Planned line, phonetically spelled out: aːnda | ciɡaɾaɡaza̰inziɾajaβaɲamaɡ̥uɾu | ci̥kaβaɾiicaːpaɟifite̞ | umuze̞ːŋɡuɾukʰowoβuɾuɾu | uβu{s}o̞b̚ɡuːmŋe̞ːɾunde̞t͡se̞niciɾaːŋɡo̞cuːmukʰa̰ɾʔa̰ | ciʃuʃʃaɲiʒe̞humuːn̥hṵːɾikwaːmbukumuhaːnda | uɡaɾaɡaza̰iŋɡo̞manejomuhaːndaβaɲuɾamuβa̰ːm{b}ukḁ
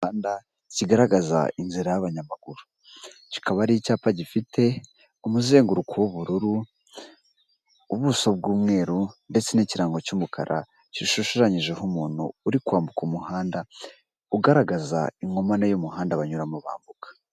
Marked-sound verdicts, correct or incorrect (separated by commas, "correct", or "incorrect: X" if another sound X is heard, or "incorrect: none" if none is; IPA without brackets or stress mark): correct, correct